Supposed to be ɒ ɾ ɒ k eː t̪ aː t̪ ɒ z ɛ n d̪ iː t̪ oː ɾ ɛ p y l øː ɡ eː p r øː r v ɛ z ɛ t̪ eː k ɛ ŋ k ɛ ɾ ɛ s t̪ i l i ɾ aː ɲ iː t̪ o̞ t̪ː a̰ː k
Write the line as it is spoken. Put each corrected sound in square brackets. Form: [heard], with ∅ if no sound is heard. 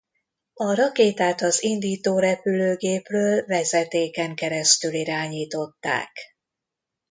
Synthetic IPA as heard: ɒ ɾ ɒ k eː t̪ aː t̪ ɒ z [i] n d̪ iː t̪ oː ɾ ɛ p y l øː ɡ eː p r øː [l] v ɛ z ɛ t̪ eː k ɛ ŋ k ɛ ɾ ɛ s t̪ [y] l i ɾ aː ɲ iː t̪ o̞ t̪ː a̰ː k